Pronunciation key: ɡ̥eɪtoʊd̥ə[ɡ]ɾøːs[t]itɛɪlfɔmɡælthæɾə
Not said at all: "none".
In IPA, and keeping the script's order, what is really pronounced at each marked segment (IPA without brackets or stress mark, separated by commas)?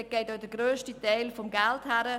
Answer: ɡ, t